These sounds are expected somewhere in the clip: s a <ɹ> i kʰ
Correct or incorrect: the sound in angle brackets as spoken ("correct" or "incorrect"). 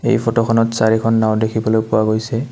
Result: correct